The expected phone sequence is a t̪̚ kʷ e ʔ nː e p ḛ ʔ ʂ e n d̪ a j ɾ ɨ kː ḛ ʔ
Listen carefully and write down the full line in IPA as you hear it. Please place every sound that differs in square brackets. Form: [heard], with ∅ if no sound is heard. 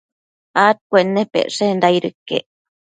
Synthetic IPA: a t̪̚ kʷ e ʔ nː e p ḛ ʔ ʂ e n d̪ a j ɾ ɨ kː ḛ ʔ